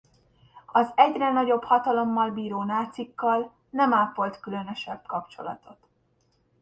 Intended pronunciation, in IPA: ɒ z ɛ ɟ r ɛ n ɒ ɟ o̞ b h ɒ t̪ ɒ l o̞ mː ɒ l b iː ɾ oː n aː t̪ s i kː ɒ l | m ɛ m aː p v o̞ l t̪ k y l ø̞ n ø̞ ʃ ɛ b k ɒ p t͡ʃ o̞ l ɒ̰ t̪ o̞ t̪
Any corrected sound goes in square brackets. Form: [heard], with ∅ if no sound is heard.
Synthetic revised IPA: ɒ z ɛ ɟ r ɛ n ɒ ɟ o̞ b h ɒ t̪ ɒ l o̞ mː ɒ l b iː ɾ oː n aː t̪ s i kː ɒ l | [n] ɛ m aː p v o̞ l t̪ k y l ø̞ n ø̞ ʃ ɛ b k ɒ p t͡ʃ o̞ l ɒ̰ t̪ o̞ t̪